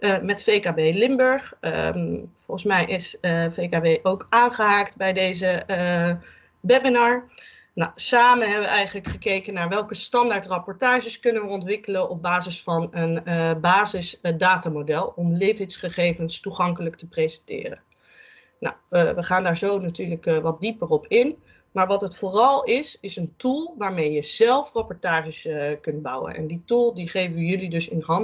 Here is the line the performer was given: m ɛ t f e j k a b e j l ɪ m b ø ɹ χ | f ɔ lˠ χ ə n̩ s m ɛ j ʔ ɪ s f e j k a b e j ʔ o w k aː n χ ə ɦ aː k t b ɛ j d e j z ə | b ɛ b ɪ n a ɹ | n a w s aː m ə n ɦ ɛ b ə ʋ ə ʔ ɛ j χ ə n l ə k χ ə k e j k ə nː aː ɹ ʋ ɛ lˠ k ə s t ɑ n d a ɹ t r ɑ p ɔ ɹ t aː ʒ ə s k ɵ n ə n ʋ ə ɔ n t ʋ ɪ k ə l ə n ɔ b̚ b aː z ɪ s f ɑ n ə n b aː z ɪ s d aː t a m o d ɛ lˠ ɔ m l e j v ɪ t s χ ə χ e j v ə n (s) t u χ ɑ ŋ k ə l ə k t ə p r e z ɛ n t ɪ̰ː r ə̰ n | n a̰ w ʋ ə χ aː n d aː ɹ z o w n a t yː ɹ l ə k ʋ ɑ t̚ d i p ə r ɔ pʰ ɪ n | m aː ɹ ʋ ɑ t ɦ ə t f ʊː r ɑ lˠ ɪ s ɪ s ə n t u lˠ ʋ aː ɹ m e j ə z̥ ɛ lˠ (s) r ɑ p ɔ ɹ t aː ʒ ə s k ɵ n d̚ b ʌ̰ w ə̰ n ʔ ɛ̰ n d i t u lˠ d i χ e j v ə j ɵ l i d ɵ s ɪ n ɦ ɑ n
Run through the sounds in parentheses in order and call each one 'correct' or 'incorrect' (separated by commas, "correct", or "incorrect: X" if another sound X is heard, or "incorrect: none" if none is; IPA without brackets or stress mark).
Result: correct, incorrect: f